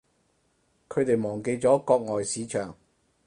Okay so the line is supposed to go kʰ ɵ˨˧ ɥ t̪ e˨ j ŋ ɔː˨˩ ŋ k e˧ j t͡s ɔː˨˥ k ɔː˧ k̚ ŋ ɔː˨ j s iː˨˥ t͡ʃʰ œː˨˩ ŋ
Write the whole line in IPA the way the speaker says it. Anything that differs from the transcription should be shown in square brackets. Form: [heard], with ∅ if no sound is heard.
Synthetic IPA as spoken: kʰ ɵ˨˧ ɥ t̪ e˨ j [m] ɔː˨˩ ŋ k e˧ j t͡s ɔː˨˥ k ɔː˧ k̚ ŋ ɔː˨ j s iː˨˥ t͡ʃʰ œː˨˩ ŋ